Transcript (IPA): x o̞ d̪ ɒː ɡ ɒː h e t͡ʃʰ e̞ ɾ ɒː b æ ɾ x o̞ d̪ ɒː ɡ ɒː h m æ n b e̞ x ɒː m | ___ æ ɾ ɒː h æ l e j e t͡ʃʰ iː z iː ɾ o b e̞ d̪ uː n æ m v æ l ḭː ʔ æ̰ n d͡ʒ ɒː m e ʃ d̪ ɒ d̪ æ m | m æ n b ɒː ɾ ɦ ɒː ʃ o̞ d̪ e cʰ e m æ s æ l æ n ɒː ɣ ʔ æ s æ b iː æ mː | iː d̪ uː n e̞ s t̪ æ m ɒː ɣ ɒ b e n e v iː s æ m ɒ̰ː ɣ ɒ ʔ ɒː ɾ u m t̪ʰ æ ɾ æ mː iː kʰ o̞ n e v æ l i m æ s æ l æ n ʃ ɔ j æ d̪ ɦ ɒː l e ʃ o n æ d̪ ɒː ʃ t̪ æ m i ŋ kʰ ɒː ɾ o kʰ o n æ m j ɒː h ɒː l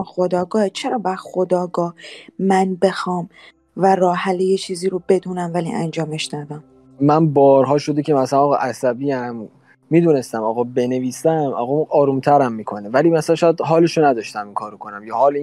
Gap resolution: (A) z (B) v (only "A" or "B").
B